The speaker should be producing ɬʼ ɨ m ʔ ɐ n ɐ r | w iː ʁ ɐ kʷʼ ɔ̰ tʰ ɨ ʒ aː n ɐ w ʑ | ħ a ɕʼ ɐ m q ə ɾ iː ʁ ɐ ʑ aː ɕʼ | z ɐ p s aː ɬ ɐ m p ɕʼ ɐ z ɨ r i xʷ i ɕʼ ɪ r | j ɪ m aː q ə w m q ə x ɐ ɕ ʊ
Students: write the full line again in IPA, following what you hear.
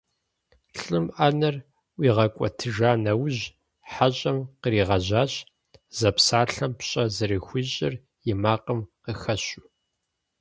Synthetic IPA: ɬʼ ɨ m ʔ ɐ n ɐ r | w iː ʁ ɐ kʷʼ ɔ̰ tʰ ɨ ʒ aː n ɐ w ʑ | ħ a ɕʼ ɐ m q ə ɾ iː ʁ ɐ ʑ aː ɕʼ | z ɐ p s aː ɬ ɐ m p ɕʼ ɐ z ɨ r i xʷ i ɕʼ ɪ r | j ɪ m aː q ə m q ə x ɐ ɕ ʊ

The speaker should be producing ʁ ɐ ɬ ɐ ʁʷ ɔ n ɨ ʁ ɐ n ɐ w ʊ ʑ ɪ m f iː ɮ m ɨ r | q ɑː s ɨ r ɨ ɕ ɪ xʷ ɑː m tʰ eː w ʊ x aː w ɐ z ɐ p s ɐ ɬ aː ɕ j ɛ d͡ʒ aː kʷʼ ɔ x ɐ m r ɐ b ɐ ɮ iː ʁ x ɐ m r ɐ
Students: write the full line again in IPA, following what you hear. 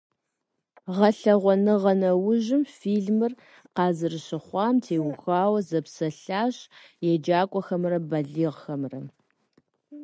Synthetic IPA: ʁ ɐ ɬ ɐ ʁʷ ɔ n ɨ ʁ ɐ n ɐ w ʊ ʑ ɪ m f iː ɮ m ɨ r | q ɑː z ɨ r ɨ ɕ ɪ χʷ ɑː m tʰ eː w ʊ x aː w ɐ z ɐ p s ɐ ɬ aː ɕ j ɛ d͡ʒ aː kʷʼ ɔ x ɐ m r ɐ b ɐ ɮ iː ʁ x ɐ m r ɐ

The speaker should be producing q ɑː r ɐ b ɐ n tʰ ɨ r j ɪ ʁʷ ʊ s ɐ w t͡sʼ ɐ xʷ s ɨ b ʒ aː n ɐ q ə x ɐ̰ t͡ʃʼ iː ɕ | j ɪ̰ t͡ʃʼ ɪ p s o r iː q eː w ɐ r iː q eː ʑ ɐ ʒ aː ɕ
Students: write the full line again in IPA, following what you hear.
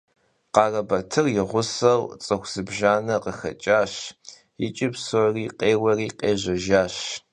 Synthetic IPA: q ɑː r ɐ b ɐ tʰ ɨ r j ɪ ʁʷ ʊ s ɐ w t͡sʼ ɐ xʷ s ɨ b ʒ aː n ɐ q ə x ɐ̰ t͡ʃʼ aː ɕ | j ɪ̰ t͡ʃʼ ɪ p s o r iː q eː w ɐ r iː q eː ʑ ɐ ʒ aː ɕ

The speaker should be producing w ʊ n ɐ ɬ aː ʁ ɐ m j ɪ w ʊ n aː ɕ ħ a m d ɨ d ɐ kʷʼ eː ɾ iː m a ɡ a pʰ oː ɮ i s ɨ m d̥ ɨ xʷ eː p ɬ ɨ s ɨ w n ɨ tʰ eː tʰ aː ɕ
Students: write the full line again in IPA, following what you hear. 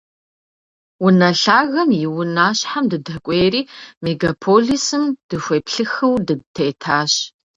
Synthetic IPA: w ʊ n ɐ ɬ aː ɣ ɐ m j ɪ w ʊ n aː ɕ ħ a m d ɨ d ɐ kʷʼ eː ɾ iː m e ɡ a pʰ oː ɮ i s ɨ m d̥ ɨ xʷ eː p ɬ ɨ x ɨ w d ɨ tʰ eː tʰ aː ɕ

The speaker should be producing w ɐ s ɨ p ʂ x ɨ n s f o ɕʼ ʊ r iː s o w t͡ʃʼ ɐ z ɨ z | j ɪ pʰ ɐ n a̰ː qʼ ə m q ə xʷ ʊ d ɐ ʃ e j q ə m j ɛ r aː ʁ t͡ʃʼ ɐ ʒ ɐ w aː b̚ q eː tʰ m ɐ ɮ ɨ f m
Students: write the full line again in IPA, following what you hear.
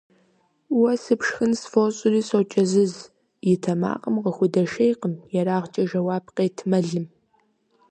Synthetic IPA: w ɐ s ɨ p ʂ x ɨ n s f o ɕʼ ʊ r iː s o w t͡ʃʼ ɐ z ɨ z | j ɪ tʰ ɐ m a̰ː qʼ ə m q ə xʷ ʊ d ɐ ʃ e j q ə m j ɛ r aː ʁ t͡ʃʼ ɐ ʒ ɐ w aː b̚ q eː tʰ m ɐ ɮ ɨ m

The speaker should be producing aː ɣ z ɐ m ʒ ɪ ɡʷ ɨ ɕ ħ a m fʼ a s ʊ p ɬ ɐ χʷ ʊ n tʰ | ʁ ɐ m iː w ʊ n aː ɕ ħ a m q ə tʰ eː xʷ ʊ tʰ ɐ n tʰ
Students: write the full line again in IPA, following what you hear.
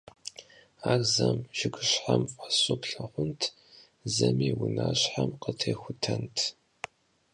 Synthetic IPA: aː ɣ z ɐ m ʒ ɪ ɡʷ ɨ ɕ ħ a m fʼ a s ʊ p ɬ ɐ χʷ ʊ n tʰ | z ɐ m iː w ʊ n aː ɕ ħ a m q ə tʰ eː xʷ ʊ tʰ ɐ n tʰ

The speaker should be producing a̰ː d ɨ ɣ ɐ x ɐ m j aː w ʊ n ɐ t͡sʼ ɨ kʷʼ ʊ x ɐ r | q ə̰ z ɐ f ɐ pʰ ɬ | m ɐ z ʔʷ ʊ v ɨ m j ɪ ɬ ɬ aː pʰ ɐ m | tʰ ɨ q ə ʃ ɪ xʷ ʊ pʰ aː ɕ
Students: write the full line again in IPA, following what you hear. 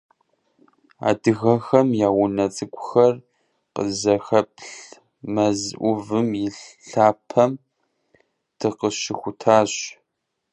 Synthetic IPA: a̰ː d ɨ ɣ ɐ x ɐ m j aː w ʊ n ɐ t͡sʼ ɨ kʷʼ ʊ x ɐ r | q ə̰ z ɐ x ɐ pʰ ɬ | m ɐ z ʔʷ ʊ v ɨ m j ɪ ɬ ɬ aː pʰ ɐ m | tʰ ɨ q ə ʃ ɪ xʷ ʊ tʰ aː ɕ

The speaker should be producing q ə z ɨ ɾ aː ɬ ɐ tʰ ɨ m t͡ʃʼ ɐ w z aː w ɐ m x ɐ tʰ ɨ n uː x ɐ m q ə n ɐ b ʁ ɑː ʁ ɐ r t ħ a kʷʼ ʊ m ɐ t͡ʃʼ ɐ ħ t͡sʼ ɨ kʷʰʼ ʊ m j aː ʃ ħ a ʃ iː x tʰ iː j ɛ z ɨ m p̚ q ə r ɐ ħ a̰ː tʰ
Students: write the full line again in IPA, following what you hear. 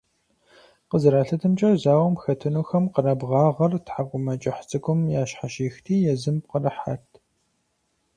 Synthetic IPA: q ə z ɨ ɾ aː ɬ ɐ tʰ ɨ m t͡ʃʼ ɐ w z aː w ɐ m x ɐ tʰ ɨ n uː x ɐ m q ə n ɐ b ʁ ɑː ʁ ɐ r t ħ a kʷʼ ʊ m ɐ t͡ʃʼ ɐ ħ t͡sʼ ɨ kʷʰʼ ʊ m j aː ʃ ħ a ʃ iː x tʰ iː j ɛ z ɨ m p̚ q ə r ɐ ħ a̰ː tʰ

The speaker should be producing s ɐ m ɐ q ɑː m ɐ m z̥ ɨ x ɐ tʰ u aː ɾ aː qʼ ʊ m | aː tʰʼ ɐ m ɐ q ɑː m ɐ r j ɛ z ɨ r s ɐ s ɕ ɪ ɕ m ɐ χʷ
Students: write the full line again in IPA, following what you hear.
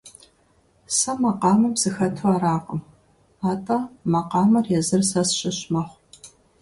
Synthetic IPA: s ɐ m ɐ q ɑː m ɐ m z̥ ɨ x ɐ tʰ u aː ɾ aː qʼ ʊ m | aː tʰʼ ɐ m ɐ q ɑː m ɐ r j ɛ z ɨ r s ɐ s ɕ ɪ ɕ m ɐ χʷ

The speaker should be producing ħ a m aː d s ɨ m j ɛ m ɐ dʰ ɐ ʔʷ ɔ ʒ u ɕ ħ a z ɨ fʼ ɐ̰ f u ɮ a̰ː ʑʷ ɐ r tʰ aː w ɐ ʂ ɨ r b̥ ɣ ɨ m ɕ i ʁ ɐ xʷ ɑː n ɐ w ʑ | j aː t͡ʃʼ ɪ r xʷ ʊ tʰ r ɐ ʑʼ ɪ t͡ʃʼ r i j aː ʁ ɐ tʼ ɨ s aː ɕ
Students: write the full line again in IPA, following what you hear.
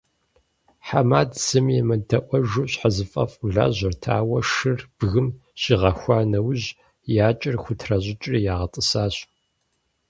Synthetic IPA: ħ a m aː d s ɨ m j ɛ m ɐ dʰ ɐ ʔʷ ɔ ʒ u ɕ ħ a z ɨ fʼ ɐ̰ f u ɮ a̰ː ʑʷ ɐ r tʰ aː w ɐ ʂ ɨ r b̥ ɣ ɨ m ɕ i ʁ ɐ xʷ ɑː n ɐ w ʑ | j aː t͡ʃʼ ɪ r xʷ ʊ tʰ r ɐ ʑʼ ɪ t͡ʃʼ r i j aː ʁ ɐ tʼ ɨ s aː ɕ

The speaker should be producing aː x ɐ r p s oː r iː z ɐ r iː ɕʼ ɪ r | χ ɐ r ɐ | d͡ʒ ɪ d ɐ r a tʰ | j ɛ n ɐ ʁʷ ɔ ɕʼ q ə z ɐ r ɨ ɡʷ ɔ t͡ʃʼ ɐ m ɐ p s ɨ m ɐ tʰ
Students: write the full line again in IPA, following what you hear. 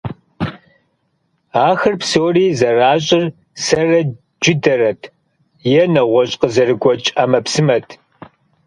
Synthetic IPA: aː x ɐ r p s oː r iː z ɐ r aː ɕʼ ɪ r | s ɐ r ɐ | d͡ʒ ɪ d ɐ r ɐ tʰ | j ɛ n ɐ ʁʷ ɔ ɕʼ q ə z ɐ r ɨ ɡʷ ɔ t͡ʃʼ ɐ m ɐ p s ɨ m ɐ tʰ

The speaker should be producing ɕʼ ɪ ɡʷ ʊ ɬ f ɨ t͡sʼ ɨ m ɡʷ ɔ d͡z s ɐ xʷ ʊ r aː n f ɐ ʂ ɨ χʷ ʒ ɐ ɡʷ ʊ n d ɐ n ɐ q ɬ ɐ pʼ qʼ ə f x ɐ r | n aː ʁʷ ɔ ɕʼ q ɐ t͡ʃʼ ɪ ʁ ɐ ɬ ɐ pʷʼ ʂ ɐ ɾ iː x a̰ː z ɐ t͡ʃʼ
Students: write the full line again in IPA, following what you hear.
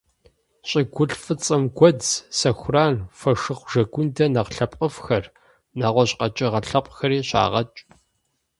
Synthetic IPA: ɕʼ ɪ ɡʷ ʊ ɬ f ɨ t͡sʼ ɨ m ɡʷ ɔ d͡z s ɐ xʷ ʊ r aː n f ɐ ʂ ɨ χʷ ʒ ɐ ɡʷ ʊ n d ɐ n ɐ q ɬ ɐ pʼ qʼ ə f x ɐ r | n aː ʁʷ ɔ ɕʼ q ɐ t͡ʃʼ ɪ ʁ ɐ ɬ ɐ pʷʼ x ɐ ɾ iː ɕ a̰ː ʁ ɐ t͡ʃʼ

